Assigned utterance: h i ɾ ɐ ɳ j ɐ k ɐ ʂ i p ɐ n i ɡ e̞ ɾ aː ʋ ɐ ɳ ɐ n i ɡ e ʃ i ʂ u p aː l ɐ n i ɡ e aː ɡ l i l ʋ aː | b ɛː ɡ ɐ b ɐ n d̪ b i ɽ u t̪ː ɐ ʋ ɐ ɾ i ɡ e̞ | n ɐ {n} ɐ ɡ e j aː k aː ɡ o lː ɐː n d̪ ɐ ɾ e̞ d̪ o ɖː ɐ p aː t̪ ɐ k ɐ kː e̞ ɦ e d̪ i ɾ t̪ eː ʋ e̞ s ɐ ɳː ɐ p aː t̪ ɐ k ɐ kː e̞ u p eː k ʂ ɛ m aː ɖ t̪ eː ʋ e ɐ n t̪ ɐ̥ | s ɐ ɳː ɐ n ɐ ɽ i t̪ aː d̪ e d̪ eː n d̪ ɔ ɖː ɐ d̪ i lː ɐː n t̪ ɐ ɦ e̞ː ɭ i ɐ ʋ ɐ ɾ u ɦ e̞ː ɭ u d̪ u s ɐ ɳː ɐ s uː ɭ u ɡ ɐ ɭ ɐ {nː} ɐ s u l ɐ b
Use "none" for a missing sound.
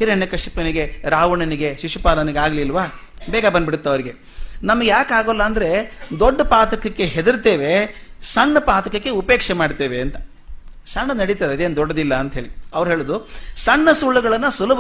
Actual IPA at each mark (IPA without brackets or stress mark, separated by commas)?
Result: m, nː